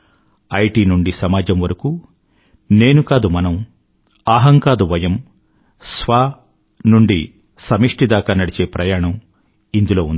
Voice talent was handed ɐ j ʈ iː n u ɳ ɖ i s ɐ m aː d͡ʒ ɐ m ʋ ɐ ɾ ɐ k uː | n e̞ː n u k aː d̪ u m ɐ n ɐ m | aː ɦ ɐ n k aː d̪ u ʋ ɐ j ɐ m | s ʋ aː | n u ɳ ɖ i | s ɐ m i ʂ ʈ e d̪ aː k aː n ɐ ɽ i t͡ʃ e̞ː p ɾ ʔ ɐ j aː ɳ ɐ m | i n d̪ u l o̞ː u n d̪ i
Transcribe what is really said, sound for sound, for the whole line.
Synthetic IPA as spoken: ɐ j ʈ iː n u ɳ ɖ i s ɐ m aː d͡ʒ ɐ m ʋ ɐ ɾ ɐ k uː | n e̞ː n u k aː d̪ u m ɐ n ɐ m | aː ɦ ɐ ŋ k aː d̪ u ʋ ɐ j ɐ m | s ʋ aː | n u ɳ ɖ i | s ɐ m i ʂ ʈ i d̪ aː k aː n ɐ ɽ i t͡ʃ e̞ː p ɾ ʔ ɐ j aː ɳ ɐ m | i n d̪ u l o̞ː u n d̪ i